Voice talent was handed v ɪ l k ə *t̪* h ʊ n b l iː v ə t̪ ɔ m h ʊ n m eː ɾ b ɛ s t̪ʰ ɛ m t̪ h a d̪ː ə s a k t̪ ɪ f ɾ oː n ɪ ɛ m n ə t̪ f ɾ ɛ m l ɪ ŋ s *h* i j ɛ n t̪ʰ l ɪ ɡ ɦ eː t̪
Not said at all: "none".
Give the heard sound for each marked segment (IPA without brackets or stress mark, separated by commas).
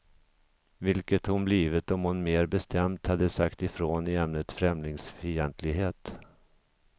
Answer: t̪, f